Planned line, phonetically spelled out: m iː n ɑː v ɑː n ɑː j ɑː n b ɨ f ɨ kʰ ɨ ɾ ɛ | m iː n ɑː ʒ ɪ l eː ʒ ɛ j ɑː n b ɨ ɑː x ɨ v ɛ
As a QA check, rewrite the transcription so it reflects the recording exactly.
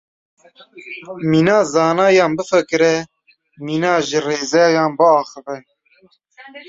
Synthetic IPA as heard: m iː n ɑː z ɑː n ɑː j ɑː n b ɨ f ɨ k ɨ ɾ ɛ | m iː n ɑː ʒ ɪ r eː z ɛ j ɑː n b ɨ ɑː x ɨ v ɛ